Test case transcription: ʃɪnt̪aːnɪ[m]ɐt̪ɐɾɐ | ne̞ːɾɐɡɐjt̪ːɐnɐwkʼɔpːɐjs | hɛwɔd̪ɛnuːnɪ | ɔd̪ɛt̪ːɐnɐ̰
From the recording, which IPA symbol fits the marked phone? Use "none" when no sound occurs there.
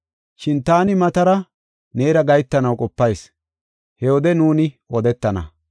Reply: m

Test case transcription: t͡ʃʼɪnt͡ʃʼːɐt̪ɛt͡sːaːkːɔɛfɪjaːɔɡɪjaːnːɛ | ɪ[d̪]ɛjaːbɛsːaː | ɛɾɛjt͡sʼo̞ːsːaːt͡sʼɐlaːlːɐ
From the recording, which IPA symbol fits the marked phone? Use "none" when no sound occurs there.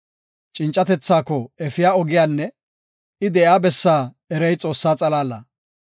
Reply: d̪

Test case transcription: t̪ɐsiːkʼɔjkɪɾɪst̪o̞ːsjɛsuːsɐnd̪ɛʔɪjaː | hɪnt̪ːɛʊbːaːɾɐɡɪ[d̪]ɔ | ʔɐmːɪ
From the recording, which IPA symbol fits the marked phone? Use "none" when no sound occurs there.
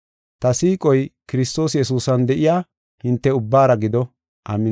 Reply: d̪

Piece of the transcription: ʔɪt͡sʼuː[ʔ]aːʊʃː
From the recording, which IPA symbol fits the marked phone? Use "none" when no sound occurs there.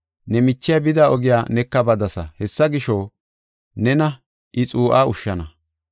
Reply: ʔ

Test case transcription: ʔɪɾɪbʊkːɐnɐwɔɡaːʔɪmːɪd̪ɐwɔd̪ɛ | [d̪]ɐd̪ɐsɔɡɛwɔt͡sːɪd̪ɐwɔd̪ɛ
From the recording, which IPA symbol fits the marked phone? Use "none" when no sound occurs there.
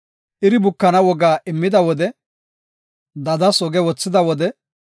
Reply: d̪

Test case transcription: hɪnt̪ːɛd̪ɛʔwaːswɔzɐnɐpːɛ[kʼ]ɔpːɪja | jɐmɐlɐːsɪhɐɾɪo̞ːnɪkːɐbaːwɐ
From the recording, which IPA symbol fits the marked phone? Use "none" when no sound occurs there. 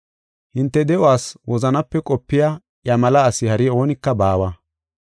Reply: kʼ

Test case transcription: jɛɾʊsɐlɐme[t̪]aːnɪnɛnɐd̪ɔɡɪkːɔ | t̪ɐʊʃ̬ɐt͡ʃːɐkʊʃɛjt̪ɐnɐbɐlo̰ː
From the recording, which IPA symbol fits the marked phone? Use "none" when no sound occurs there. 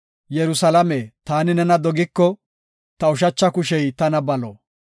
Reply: t̪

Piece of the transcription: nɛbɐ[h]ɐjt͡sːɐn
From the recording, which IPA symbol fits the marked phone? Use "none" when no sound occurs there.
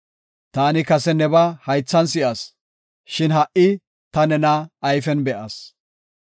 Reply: h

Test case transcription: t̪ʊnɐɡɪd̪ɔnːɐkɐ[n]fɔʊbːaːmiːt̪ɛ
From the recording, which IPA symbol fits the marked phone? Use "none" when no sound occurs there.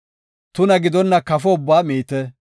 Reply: none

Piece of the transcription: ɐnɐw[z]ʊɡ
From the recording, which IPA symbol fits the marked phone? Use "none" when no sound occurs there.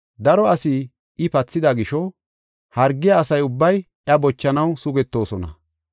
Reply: s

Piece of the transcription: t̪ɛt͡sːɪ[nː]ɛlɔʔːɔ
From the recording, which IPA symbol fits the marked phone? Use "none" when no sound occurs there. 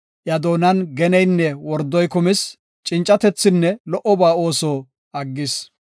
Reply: nː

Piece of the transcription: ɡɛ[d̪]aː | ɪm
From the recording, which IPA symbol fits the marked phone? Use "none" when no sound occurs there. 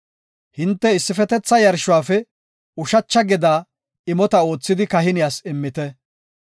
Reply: d̪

